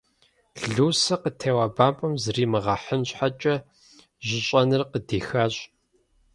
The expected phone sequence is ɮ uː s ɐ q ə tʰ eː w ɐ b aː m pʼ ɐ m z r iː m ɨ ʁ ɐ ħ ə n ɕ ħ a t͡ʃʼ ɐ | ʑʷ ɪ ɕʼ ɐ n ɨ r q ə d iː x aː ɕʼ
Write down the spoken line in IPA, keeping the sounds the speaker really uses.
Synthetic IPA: ɮ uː s ɐ q ə tʰ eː w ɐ b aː m pʼ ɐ m z r iː m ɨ ʁ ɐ ħ ə n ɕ ħ a t͡ʃʼ ɐ | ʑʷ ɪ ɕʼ ɐ n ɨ r q ə d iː x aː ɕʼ